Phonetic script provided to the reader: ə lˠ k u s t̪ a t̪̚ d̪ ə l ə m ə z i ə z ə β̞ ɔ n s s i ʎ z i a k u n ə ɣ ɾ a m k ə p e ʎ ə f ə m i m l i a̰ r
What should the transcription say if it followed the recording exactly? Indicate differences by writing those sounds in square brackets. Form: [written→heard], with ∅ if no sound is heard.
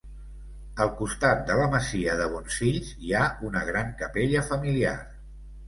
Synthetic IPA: ə lˠ k u s t̪ a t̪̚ d̪ ə l ə m ə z i ə [z→ð] ə β̞ ɔ n s [s→f] i ʎ z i a [k→∅] u n ə ɣ ɾ a [m→ŋ] k ə p e ʎ ə f ə m i [m→∅] l i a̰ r